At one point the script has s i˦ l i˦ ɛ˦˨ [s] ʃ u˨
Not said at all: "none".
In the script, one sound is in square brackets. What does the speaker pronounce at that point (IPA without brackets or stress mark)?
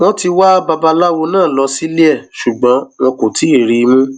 none